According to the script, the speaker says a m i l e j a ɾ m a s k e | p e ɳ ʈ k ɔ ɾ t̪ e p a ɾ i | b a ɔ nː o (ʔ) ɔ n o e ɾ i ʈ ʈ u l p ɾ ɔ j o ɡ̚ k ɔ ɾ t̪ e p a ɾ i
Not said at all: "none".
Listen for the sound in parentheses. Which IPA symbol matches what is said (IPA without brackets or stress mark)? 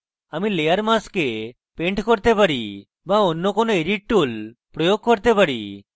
k